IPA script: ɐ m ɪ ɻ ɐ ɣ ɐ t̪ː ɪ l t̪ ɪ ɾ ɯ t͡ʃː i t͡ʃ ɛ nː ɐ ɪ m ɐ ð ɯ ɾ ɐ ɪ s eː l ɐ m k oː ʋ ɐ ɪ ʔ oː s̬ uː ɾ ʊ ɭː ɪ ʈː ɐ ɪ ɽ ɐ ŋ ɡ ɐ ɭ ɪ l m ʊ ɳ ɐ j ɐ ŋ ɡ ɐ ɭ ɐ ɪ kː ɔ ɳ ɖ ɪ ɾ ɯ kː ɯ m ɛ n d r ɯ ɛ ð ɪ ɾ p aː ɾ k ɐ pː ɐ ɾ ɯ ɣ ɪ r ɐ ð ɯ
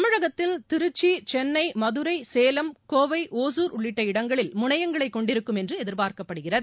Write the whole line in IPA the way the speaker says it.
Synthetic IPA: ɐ m ɪ ɻ ɐ ɣ ɐ t̪ː ɪ l t̪ ɪ ɾ ɯ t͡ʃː i t͡ʃ ɛ nː ɐ ɪ m ɐ ð ɯ ɾ ɐ ɪ s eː l ɐ m k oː ʋ ɐ ɪ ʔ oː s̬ uː ɾ ʊ ɭː ɪ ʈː ɐ ɪ ɽ ɐ ŋ ɡ ɐ ɭ ɪ l m ʊ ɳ ɐ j ɐ ŋ ɡ ɐ ɭ ɐ ɪ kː ɔ ɳ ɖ ɪ ɾ ɯ kː ɯ m ɛ n d r ɯ ɛ ð ɪ ɾ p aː ɾ k ɐ pː ɐ ɽ ɯ ɣ ɪ r ɐ ð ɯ